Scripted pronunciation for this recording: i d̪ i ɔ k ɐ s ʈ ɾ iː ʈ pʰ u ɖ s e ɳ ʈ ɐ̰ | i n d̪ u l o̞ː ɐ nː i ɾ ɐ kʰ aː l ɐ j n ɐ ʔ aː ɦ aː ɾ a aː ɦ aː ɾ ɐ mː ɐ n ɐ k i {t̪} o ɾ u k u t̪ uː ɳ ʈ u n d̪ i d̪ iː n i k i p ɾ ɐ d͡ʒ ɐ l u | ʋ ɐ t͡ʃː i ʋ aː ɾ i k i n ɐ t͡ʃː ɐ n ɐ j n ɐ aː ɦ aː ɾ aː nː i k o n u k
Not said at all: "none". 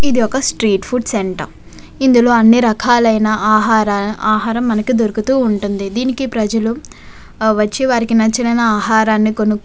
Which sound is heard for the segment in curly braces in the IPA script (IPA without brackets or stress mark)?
d̪